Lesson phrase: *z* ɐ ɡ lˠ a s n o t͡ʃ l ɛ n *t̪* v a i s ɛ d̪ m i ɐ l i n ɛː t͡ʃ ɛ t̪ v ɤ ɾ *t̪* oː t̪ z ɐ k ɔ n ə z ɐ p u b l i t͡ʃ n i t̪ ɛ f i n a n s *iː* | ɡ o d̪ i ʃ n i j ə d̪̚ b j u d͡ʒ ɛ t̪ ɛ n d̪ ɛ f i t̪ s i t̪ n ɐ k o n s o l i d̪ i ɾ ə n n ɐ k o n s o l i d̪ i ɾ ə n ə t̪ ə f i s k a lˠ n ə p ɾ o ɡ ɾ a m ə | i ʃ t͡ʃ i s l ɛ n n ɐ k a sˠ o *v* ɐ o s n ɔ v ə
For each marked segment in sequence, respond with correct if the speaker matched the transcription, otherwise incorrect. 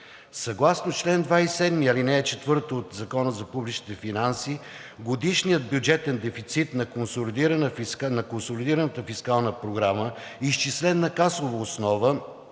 incorrect: s, incorrect: d̪, correct, incorrect: i, correct

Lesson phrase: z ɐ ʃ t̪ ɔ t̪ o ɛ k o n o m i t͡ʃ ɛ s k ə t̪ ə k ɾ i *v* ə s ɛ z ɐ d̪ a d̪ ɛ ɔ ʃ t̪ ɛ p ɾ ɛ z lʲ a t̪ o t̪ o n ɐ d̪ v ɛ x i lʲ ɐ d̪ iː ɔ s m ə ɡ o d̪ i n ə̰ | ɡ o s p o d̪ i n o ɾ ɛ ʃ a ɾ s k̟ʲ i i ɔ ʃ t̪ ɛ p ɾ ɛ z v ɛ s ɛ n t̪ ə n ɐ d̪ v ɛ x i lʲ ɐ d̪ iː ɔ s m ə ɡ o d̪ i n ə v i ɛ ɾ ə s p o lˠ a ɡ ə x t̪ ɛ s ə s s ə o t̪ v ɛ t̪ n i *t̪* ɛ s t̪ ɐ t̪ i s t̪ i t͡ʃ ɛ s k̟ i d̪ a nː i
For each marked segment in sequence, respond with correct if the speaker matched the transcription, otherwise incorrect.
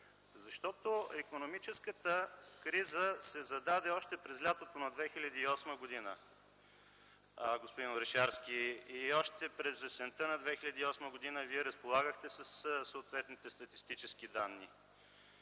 incorrect: z, correct

